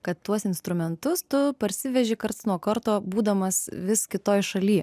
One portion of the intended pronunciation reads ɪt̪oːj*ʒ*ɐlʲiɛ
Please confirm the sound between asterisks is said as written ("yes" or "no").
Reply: no